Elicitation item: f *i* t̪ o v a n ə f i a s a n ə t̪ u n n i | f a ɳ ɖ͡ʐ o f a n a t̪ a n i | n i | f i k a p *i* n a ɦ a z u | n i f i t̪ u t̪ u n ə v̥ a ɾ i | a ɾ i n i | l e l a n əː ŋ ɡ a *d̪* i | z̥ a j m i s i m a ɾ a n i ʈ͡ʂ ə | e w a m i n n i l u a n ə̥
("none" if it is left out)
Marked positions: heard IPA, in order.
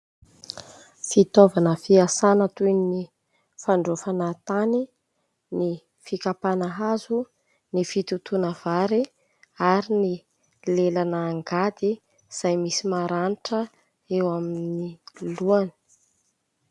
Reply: i, a, d̪

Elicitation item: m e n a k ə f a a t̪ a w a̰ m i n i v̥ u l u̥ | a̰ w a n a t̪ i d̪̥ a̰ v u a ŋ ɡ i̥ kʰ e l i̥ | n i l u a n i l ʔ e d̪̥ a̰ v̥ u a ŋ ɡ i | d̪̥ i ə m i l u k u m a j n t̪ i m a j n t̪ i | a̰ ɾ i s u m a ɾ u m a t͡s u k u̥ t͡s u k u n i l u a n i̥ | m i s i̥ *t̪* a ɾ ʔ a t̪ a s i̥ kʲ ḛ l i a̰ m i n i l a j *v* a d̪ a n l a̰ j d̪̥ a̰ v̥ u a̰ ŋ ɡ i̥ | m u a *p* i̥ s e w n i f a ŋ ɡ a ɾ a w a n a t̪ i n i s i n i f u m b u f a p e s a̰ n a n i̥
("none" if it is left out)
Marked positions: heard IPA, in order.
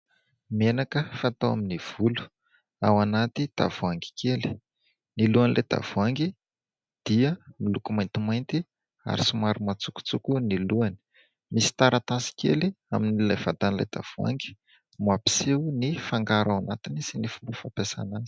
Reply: t̪, v, p

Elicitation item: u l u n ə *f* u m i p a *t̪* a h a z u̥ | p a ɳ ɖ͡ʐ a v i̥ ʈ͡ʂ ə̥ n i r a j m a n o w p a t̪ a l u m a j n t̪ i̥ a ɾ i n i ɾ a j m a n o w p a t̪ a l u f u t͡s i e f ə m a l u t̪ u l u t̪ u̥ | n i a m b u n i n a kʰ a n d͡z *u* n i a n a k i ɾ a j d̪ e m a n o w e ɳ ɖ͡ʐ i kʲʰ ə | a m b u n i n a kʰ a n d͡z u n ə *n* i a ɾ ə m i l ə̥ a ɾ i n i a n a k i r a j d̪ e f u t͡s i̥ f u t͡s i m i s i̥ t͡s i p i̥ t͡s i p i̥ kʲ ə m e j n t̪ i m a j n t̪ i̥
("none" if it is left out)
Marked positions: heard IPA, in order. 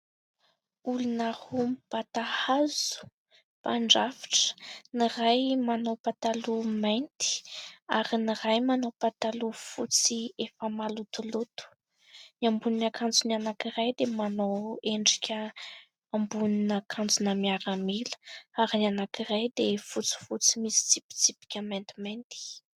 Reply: h, t̪, u, m

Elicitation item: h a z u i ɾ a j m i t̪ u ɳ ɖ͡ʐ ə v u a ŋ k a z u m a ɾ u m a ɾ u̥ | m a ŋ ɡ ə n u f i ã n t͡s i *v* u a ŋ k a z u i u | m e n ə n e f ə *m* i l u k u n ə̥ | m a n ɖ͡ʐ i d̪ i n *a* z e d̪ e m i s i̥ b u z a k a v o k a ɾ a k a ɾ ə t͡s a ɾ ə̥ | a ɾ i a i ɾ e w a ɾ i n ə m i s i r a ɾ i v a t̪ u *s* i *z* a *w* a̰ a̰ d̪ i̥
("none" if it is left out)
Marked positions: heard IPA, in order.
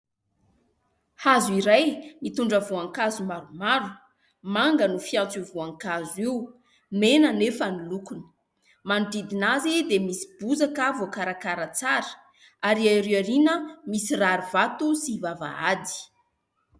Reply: v, n, a, s, v, v

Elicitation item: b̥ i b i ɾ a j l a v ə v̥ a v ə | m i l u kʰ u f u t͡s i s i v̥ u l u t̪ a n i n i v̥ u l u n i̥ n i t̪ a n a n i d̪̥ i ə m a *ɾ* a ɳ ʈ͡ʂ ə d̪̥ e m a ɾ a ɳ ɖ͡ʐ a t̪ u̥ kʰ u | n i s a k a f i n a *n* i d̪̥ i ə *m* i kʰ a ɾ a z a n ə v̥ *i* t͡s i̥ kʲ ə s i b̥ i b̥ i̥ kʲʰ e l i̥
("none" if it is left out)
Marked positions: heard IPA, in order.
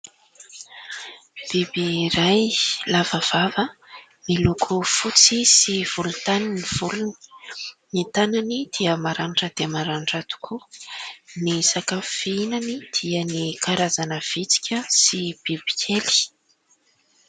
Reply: ɾ, n, n, i

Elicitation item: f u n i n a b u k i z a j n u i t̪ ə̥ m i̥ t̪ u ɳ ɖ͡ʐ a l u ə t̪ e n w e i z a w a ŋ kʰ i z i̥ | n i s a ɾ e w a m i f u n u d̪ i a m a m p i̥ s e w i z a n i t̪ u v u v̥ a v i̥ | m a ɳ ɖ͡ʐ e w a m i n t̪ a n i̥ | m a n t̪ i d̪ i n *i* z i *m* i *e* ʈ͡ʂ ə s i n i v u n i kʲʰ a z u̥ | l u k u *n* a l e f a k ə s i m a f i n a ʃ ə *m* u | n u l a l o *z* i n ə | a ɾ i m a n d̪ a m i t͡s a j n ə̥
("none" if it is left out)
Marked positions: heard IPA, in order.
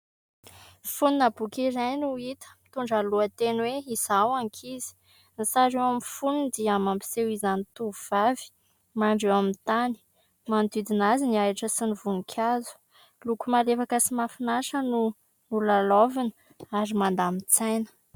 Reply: a, n, a, m, n, v

